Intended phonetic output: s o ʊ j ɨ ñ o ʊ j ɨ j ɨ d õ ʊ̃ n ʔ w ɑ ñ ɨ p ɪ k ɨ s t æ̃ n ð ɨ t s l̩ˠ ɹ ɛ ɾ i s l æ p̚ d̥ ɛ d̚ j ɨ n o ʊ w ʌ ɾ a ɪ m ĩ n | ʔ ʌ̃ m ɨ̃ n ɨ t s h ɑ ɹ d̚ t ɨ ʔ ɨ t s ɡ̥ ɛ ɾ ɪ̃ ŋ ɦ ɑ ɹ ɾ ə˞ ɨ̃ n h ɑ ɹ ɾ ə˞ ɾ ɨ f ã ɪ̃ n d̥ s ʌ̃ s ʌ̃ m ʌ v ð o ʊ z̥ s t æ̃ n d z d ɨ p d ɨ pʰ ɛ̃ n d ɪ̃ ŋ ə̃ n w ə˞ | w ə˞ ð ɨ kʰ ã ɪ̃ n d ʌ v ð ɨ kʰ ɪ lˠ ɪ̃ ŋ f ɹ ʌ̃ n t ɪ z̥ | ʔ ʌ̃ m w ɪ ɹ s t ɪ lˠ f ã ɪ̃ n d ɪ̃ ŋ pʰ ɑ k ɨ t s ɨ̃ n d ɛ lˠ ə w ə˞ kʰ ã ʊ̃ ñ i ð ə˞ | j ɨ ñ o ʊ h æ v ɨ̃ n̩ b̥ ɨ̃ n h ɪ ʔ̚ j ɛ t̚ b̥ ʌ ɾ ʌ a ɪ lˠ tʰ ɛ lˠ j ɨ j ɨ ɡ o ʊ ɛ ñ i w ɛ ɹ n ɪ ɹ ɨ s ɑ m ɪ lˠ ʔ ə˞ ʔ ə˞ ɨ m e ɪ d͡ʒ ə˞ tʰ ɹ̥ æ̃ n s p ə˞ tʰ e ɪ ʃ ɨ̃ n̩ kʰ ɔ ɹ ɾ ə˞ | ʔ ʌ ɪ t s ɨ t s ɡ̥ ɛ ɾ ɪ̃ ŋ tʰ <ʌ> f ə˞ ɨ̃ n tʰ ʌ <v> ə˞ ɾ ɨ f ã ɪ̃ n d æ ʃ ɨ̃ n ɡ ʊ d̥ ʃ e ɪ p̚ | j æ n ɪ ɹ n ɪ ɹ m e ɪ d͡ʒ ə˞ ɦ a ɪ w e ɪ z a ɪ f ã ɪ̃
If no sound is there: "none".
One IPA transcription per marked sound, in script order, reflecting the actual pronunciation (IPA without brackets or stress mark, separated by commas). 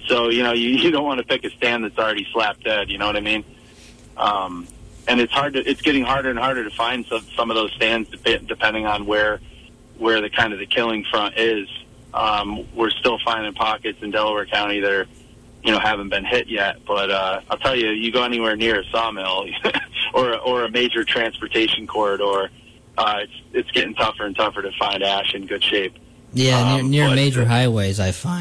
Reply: ʌ, f